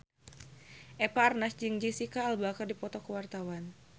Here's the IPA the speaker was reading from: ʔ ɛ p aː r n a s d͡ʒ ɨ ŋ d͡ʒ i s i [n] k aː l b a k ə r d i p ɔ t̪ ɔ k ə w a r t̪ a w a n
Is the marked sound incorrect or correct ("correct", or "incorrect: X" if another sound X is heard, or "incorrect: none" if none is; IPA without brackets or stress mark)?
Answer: incorrect: none